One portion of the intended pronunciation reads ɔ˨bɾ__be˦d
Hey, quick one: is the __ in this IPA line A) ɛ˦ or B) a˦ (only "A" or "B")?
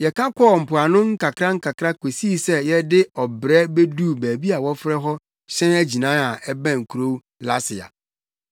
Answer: A